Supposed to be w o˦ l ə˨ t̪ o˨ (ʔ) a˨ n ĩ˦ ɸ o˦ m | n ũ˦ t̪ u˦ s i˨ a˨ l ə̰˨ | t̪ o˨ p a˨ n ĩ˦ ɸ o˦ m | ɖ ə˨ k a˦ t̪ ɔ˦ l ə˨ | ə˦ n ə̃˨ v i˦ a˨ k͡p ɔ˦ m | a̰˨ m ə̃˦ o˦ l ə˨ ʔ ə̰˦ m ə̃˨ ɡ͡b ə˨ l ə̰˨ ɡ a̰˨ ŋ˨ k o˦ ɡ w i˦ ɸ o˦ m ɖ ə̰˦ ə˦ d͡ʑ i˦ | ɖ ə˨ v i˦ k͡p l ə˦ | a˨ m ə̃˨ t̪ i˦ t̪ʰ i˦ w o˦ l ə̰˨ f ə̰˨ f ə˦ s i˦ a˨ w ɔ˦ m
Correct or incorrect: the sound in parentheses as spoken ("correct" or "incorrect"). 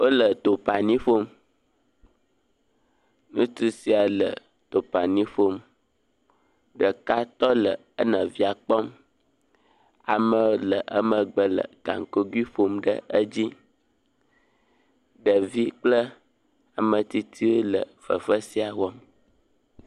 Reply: incorrect